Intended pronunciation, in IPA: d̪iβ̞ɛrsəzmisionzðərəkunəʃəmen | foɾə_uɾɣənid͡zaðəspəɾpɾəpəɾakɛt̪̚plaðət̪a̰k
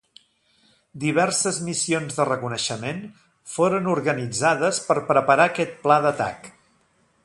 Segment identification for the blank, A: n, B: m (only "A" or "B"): A